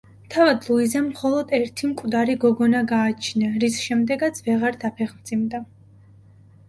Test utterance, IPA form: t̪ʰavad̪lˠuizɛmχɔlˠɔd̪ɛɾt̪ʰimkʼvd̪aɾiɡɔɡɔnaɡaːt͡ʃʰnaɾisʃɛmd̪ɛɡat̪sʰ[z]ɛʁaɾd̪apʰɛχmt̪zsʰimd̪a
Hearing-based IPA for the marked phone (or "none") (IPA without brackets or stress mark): v